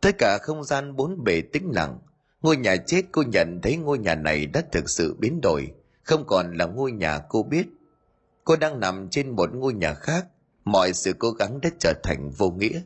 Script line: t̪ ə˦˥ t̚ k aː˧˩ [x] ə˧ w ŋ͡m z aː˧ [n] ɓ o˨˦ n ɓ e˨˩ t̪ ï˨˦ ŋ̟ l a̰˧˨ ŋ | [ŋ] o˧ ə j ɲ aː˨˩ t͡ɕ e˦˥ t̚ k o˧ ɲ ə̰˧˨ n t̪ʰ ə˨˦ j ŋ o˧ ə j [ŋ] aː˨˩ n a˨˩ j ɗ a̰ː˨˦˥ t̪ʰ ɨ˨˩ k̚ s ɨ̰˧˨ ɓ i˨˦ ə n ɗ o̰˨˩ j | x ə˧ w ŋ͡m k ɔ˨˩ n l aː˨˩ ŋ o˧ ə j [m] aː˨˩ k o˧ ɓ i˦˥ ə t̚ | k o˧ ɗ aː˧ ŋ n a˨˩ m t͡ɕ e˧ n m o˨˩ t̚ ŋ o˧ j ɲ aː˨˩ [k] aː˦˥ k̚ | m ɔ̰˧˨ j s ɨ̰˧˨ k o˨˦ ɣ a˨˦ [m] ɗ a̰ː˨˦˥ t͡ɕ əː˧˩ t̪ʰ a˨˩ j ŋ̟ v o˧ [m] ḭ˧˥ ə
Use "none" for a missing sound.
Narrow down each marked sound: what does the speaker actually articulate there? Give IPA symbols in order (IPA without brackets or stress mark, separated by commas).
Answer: x, n, ŋ, ɲ, ɲ, x, ŋ, ŋ